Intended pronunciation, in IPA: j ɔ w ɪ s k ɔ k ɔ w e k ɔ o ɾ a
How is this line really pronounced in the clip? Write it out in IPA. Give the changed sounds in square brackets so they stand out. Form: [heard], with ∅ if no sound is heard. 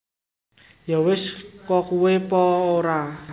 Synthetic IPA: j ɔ w ɪ s k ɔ k [u] w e [p] ɔ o ɾ a